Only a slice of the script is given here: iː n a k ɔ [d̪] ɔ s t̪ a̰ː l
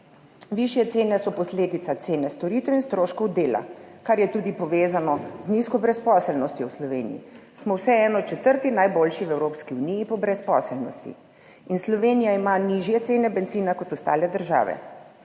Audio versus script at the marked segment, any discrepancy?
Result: yes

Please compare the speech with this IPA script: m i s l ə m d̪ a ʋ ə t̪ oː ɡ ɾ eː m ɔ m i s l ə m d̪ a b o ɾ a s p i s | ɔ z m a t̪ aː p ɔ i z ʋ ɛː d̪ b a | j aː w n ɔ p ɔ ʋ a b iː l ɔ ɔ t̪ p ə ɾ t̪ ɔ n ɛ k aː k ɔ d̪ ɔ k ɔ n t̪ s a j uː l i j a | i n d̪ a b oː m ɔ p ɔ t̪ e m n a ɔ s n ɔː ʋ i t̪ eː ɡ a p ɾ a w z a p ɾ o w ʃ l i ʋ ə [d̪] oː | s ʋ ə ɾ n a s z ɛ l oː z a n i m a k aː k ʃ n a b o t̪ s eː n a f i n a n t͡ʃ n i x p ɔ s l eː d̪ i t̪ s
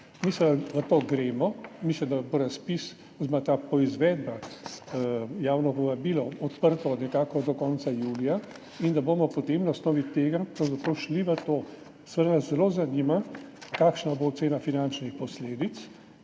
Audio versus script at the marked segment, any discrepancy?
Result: yes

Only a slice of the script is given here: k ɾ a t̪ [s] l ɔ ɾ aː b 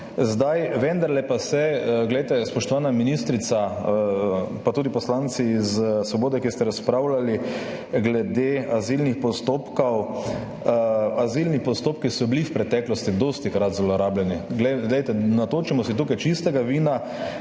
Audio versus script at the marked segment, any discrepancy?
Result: yes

